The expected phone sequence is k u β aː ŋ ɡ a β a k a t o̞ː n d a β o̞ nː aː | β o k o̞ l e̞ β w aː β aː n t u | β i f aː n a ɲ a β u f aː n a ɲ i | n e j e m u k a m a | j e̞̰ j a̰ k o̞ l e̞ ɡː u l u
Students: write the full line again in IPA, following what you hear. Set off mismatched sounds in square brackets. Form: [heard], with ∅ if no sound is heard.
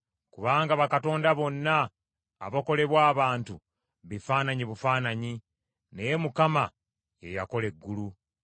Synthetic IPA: k u β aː ŋ ɡ a β a k a t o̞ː n d a β o̞ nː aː | β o k o̞ l e̞ β w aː β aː n t u | β i f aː n a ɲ [i] β u f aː n a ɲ i | n e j e m u k a m a | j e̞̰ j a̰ k o̞ l e̞ ɡː u l u